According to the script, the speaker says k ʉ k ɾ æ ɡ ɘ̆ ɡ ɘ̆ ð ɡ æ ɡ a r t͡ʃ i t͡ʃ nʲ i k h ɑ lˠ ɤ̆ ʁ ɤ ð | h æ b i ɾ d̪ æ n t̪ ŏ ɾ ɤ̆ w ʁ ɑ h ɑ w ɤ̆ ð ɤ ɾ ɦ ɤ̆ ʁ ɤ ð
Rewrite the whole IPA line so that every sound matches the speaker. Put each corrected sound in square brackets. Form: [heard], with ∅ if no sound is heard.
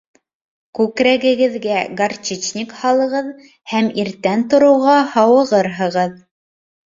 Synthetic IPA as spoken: k ʉ k ɾ æ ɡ ɘ̆ ɡ ɘ̆ ð ɡ æ ɡ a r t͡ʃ i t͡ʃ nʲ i k h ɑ lˠ ɤ̆ ʁ ɤ ð | h æ [m] i ɾ [t̪] æ n t̪ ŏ ɾ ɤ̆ w ʁ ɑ h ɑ w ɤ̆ [ʁ] ɤ ɾ ɦ ɤ̆ ʁ ɤ ð

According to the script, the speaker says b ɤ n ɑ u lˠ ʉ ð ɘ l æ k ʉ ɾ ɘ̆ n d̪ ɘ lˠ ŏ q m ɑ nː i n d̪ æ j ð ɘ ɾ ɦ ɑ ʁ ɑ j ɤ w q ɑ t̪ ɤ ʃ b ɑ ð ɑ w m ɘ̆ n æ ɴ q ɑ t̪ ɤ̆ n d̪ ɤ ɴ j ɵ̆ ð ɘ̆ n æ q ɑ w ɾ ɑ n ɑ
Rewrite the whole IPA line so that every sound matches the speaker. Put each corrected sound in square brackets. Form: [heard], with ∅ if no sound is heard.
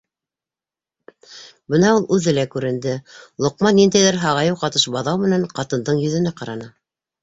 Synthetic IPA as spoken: b ɤ n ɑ u lˠ ʉ ð ɘ l æ k ʉ ɾ ɘ̆ n d̪ ɘ lˠ ŏ q m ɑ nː i n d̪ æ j ð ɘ ɾ ɦ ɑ ʁ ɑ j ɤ w q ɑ t̪ ɤ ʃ b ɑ ð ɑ w m ɘ̆ n æ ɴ q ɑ t̪ ɤ̆ n d̪ ɤ ɴ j ɵ̆ ð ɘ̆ n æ q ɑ [∅] ɾ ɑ n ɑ

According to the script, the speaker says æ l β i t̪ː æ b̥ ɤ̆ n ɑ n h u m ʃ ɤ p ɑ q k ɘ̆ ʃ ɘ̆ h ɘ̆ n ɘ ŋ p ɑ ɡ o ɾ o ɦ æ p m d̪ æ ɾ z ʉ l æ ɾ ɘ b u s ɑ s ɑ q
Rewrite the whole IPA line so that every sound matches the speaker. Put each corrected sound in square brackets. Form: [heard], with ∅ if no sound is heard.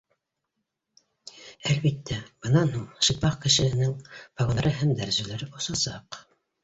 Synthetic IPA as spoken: æ l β i t̪ː æ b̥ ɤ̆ n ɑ n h u [ɴ] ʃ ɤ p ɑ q k ɘ̆ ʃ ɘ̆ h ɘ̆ n ɘ ŋ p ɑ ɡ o ɾ [ɤ] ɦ æ [∅] m d̪ æ ɾ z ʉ l æ ɾ ɘ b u s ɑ s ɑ q

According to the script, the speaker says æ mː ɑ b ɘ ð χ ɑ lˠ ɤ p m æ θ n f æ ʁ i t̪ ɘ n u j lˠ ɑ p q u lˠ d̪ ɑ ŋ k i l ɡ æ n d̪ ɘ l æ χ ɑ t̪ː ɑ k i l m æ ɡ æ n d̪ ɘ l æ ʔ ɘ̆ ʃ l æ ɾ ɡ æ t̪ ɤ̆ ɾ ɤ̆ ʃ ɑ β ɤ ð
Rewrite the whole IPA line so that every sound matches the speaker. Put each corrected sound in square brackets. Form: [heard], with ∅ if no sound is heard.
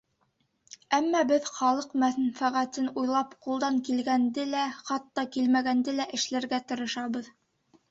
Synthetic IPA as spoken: æ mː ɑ b ɘ ð χ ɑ lˠ ɤ [q] m æ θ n f æ ʁ [æ] t̪ ɘ n u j lˠ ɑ p q u lˠ d̪ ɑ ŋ k i l ɡ æ n d̪ ɘ l æ χ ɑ t̪ː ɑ k i l m æ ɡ æ n d̪ ɘ l æ ʔ ɘ̆ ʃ l æ ɾ ɡ æ t̪ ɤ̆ ɾ ɤ̆ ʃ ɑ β ɤ ð

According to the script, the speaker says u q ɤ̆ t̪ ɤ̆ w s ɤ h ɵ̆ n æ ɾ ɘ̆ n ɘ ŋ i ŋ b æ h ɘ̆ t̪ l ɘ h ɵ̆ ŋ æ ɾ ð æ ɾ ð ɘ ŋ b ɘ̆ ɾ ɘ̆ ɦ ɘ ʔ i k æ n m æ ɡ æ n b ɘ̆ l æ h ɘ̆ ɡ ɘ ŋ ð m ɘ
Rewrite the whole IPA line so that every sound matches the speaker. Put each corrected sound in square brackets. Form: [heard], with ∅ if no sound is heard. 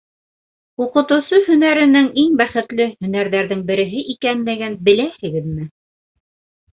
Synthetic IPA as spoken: u q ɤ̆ t̪ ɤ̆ w s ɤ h ɵ̆ n æ ɾ ɘ̆ n ɘ ŋ i ŋ b æ [χ] ɘ̆ t̪ l ɘ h ɵ̆ [n] æ ɾ ð æ ɾ ð ɘ ŋ b ɘ̆ ɾ ɘ̆ ɦ ɘ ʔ i k æ n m æ ɡ æ n b ɘ̆ l æ h ɘ̆ ɡ ɘ [∅] ð m ɘ

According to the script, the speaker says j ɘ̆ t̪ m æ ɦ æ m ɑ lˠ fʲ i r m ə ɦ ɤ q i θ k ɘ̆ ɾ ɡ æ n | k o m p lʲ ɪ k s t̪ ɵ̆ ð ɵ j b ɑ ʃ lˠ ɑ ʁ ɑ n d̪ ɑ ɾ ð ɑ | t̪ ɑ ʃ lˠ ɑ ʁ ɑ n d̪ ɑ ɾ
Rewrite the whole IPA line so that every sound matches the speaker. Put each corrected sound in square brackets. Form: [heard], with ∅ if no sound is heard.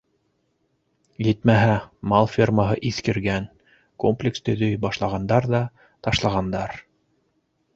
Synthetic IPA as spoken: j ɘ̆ t̪ m æ ɦ æ m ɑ lˠ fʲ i r m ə ɦ ɤ [ʔ] i θ k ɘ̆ ɾ ɡ æ n | k o m p lʲ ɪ k s t̪ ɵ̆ ð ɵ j b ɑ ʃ lˠ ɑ ʁ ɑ n d̪ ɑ ɾ ð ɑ | t̪ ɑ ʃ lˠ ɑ ʁ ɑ n d̪ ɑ ɾ

